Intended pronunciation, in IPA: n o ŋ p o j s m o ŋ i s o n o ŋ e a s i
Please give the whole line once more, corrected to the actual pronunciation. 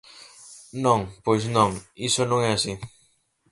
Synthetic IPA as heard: n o ŋ p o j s n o ŋ i s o n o ŋ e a s i